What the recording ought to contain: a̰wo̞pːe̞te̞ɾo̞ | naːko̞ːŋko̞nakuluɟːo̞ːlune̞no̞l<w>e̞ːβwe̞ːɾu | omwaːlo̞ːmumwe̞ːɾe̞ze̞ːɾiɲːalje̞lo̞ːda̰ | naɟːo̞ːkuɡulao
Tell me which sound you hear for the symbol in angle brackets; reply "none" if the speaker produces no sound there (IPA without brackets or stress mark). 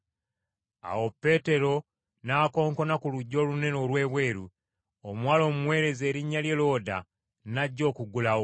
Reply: w